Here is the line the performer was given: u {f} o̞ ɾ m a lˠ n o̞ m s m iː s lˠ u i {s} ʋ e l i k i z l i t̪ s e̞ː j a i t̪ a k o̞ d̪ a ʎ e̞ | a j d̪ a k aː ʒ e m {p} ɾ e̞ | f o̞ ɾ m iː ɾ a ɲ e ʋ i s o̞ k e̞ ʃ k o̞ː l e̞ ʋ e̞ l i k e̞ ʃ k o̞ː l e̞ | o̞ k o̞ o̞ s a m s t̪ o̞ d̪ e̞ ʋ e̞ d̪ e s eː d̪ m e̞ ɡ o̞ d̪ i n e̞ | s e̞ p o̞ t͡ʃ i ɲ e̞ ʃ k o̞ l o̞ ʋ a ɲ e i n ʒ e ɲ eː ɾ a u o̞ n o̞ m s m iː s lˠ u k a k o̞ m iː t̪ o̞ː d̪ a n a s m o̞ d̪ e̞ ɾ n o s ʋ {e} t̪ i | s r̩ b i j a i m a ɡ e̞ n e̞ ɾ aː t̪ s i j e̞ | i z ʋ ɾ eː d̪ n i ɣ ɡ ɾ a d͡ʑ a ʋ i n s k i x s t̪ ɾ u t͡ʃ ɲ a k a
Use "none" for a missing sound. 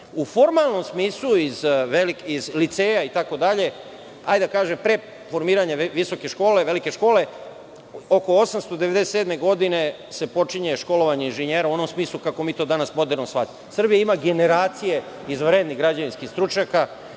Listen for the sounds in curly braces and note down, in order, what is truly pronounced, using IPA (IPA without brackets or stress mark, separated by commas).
f, z, p, a